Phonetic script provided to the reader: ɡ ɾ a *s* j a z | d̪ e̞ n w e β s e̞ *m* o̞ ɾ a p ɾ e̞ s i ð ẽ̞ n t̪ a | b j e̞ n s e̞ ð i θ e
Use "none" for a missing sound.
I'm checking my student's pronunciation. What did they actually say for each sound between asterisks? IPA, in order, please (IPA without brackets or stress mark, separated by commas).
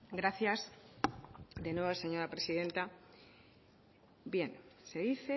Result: θ, ɲ